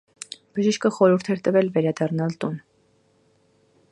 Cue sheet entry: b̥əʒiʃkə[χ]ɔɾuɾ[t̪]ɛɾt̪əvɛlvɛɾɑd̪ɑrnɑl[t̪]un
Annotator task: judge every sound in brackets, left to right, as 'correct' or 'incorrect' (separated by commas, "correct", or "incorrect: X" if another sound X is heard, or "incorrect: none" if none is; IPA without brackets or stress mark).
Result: correct, incorrect: t̪ʰ, correct